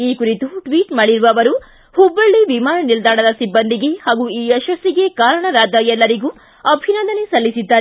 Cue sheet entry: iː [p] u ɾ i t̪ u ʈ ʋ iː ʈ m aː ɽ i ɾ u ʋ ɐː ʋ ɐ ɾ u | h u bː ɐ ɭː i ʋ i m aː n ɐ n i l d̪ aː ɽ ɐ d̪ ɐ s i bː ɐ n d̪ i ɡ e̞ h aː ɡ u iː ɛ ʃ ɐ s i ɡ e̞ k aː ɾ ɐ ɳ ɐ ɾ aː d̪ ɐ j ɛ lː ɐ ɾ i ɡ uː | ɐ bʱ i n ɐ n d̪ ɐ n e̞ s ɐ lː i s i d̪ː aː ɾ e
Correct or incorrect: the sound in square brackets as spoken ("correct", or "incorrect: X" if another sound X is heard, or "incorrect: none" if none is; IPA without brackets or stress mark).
incorrect: k